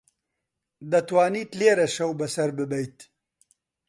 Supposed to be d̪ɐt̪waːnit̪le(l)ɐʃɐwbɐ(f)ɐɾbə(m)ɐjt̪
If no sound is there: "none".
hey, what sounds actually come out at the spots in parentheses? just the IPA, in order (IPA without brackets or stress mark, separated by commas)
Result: ɾ, s, b